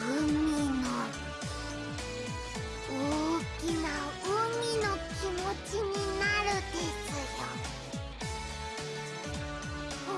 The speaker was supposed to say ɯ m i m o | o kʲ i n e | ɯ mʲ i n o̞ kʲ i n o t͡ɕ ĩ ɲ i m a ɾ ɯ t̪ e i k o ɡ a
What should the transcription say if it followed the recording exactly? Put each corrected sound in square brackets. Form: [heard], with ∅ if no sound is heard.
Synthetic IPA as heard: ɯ m i [n] o | o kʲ i n [a] | ɯ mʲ i n o̞ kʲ i [m] o t͡ɕ [i] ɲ i [n] a ɾ ɯ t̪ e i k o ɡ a